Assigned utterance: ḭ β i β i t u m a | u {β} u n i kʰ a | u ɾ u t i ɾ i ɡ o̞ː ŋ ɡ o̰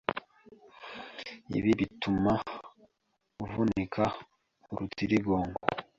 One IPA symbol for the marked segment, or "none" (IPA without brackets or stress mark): v